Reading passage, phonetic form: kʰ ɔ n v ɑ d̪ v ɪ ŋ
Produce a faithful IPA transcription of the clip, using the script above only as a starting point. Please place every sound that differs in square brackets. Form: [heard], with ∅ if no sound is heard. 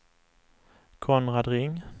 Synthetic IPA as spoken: kʰ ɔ n [ʁ] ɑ d̪ [ʁ] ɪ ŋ